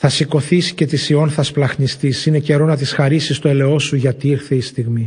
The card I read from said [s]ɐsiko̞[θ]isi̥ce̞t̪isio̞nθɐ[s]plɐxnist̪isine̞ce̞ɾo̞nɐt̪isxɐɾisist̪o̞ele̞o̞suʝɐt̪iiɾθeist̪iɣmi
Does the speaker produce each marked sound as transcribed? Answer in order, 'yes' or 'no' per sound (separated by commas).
no, yes, yes